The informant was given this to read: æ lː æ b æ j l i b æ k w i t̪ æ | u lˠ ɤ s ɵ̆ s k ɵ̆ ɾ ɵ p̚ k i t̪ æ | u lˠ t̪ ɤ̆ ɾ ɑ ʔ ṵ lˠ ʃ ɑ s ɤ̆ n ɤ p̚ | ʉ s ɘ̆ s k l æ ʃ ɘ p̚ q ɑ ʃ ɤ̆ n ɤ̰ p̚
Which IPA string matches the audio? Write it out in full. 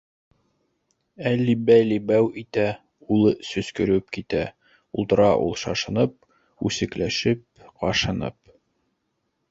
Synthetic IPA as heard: æ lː i b æ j l i b æ w i t̪ æ | u lˠ ɤ s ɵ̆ s k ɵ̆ ɾ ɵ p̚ k i t̪ æ | u lˠ t̪ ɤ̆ ɾ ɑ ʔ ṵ lˠ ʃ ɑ ʃ ɤ̆ n ɤ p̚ | ʉ s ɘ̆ k l æ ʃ ɘ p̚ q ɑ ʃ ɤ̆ n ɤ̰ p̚